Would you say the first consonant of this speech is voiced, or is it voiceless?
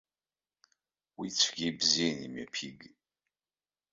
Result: voiced